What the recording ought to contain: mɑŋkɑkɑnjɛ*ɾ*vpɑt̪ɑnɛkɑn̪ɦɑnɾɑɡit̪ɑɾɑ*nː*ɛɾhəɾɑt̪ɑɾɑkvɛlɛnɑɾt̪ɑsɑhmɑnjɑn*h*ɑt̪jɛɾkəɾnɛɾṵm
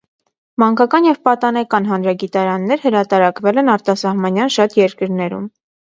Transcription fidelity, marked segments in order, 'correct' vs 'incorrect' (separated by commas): incorrect, correct, incorrect